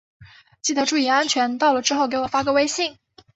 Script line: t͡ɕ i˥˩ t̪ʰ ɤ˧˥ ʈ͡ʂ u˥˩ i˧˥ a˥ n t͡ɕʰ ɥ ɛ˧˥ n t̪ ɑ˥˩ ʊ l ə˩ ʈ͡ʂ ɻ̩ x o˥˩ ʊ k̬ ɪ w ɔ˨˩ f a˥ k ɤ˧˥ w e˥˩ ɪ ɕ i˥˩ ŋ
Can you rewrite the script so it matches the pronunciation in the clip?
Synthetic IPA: t͡ɕ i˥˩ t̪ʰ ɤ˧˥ ʈ͡ʂ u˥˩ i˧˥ a˥ n t͡ɕʰ ɥ ɛ˧˥ n t̪ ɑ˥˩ ʊ l ə˩ ʈ͡ʂ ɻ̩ x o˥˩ ʊ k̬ ɪ w ɔ˨˩ f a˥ k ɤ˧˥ w e˥ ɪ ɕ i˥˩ ŋ

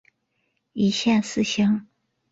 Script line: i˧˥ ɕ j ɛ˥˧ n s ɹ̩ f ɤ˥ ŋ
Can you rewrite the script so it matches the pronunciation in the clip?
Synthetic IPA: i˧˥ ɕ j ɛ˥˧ n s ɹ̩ ɕ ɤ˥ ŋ

